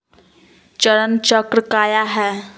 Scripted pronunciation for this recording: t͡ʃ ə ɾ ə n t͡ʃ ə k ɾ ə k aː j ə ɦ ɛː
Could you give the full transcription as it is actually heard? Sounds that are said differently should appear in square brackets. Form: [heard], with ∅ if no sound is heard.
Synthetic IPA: t͡ʃ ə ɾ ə n t͡ʃ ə k ɾ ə k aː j [a] ɦ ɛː